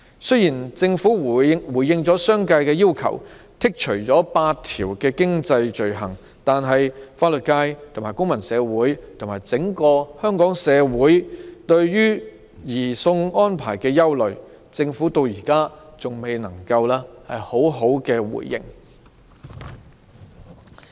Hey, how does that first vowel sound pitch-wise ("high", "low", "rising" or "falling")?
high